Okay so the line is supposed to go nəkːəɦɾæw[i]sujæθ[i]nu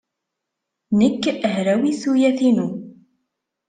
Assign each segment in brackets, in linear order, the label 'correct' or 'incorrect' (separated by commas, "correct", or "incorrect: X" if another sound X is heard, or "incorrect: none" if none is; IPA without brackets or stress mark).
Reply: correct, correct